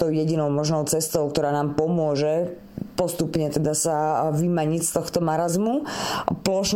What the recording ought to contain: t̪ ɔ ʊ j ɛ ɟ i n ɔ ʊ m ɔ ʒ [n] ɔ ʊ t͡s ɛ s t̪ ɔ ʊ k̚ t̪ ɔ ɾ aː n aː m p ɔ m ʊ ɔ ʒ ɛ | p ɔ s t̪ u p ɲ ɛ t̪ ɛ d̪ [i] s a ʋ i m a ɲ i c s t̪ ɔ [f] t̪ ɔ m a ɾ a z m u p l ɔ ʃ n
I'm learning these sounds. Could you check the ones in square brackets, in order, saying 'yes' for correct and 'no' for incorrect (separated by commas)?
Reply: yes, no, no